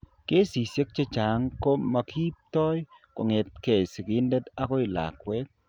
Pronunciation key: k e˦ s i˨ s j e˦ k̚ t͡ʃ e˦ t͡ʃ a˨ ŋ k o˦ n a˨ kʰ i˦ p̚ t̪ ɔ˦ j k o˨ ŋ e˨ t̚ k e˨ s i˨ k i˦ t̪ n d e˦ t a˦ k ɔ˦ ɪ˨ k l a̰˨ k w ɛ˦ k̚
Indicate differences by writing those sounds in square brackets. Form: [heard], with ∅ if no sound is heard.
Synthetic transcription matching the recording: k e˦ s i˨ s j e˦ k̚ t͡ʃ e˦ t͡ʃ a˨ ŋ k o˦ [m] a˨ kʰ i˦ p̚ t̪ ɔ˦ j k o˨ ŋ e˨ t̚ k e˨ s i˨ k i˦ [∅] n d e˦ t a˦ k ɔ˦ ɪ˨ [∅] l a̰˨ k w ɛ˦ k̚

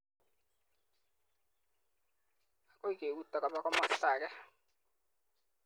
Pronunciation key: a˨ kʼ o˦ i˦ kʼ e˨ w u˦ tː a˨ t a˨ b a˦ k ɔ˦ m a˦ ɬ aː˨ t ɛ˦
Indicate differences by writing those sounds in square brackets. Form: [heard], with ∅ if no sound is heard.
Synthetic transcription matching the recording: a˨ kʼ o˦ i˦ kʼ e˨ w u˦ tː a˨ [k] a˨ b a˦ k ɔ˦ m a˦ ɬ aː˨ [k] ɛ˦

